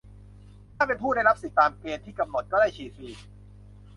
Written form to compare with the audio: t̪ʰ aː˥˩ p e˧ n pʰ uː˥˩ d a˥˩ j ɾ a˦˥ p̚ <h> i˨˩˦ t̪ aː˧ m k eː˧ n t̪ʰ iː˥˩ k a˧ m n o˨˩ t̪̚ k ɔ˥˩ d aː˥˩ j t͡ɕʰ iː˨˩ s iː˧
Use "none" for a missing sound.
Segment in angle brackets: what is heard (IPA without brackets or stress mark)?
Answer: s